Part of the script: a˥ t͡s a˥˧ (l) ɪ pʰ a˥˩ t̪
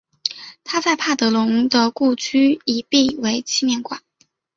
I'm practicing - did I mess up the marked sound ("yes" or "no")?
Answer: yes